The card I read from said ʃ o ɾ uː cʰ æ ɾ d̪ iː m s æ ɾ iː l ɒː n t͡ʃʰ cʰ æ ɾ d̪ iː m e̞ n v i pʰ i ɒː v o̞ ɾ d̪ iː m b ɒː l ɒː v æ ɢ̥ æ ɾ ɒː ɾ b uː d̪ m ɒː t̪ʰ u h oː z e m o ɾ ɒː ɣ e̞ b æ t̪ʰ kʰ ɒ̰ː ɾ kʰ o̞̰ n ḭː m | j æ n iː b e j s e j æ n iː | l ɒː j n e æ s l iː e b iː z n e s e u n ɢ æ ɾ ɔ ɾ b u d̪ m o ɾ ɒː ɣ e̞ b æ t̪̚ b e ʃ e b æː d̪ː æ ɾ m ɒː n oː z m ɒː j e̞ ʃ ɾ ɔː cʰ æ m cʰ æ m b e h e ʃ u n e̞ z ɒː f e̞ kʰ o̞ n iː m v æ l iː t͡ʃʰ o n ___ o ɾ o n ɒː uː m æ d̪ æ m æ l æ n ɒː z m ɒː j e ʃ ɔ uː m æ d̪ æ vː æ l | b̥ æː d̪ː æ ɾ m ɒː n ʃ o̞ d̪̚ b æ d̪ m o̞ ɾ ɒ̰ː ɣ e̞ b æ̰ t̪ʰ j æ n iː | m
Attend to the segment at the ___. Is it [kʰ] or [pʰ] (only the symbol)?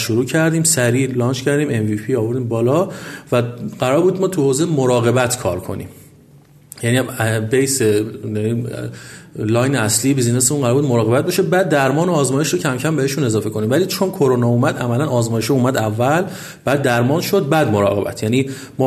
kʰ